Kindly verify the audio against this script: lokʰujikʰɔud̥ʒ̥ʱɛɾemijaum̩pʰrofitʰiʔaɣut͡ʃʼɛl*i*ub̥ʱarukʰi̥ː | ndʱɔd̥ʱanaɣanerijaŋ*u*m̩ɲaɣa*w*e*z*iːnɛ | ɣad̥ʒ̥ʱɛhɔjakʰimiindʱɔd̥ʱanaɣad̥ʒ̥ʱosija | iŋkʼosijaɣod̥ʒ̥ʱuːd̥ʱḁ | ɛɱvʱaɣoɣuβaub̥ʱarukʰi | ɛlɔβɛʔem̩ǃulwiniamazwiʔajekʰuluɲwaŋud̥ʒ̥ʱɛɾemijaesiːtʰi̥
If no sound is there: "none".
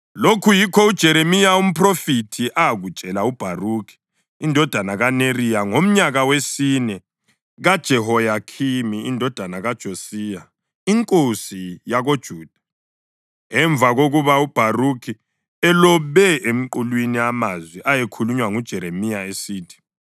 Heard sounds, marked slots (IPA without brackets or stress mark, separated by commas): a, o, w, s